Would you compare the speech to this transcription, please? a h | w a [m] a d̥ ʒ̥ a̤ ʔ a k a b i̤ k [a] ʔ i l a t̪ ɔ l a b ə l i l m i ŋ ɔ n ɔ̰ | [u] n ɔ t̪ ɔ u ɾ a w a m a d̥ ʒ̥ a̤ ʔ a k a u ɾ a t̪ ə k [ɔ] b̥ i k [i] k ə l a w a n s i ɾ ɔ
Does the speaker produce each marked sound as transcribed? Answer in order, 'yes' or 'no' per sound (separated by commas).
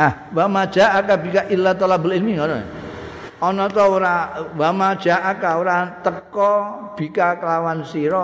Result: yes, yes, no, yes, no